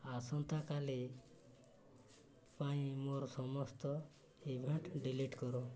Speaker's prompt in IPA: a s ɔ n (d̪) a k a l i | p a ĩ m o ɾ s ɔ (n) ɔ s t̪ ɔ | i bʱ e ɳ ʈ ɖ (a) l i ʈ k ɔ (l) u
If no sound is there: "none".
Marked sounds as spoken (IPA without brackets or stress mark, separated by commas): t̪, m, i, ɾ